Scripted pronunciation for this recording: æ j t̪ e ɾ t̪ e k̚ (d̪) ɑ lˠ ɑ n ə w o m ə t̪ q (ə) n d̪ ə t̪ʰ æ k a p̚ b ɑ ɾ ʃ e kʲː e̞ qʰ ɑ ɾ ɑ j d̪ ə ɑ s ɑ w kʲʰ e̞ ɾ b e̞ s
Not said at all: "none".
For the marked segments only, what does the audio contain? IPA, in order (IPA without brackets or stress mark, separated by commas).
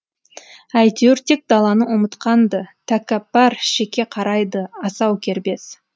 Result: d̪, ɑ